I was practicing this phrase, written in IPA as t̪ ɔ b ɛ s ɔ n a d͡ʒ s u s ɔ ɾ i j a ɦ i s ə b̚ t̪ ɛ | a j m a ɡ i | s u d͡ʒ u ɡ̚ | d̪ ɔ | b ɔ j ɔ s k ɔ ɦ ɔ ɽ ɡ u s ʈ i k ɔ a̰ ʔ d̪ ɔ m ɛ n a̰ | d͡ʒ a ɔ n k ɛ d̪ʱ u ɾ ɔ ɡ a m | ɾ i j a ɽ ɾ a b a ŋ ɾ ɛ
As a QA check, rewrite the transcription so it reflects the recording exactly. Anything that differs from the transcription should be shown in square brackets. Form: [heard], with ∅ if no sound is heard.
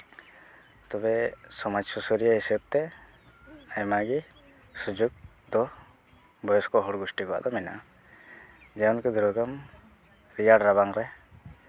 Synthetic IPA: t̪ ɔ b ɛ s ɔ [m] a d͡ʒ s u s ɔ ɾ i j a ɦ i s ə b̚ t̪ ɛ | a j m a ɡ i | s u d͡ʒ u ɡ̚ | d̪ ɔ | b ɔ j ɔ s k ɔ ɦ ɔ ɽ ɡ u s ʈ i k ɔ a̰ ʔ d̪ ɔ m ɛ n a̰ | d͡ʒ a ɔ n k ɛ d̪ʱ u ɾ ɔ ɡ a m | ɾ i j a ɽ ɾ a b a ŋ ɾ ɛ